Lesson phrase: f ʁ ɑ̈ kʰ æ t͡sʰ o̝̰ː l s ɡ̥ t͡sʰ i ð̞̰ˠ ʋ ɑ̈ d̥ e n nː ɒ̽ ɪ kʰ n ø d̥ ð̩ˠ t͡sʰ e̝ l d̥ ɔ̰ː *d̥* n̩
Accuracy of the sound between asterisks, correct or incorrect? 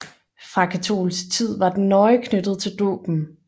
incorrect